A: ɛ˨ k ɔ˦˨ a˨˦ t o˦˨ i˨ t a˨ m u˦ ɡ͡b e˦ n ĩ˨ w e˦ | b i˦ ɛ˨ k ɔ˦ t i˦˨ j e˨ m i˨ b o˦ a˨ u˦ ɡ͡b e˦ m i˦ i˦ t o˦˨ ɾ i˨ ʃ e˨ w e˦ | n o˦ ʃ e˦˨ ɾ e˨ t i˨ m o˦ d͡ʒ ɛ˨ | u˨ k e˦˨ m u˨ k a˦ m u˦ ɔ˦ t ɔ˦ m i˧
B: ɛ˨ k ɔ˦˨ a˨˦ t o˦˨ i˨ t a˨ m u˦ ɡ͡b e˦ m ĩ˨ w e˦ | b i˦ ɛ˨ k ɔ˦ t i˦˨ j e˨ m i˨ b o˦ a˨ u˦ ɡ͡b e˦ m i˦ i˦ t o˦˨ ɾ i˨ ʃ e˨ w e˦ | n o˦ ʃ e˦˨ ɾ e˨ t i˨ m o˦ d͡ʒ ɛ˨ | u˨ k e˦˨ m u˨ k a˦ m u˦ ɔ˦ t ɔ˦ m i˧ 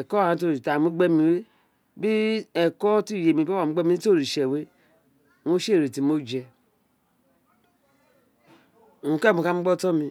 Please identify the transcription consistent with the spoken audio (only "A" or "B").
B